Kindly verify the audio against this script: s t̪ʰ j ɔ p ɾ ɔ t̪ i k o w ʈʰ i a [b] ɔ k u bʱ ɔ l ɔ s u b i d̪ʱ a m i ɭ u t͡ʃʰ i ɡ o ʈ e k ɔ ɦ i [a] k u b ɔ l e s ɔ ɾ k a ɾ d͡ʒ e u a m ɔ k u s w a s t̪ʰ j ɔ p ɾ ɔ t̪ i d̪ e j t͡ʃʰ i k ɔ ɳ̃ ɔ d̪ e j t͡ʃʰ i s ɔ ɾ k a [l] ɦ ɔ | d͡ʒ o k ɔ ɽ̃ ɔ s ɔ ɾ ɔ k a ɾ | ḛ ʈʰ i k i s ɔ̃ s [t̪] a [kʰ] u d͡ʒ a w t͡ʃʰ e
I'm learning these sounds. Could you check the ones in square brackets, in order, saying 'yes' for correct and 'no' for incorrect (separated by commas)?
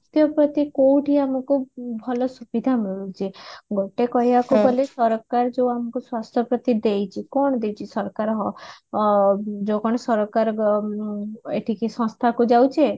no, yes, no, no, no